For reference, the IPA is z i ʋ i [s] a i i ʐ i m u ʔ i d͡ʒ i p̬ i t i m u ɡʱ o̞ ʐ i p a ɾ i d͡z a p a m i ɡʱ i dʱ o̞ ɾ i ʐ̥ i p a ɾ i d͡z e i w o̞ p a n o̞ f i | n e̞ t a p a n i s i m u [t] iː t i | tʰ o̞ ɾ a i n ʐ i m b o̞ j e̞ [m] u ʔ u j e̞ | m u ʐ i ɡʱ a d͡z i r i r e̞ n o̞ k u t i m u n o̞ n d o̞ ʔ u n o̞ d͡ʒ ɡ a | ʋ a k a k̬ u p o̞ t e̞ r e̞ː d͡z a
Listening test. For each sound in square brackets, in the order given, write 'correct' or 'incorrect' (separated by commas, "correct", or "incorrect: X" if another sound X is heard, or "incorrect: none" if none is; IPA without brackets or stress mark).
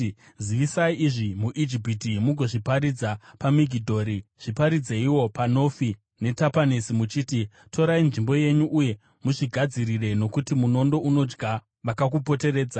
correct, incorrect: t͡ʃ, incorrect: ɲ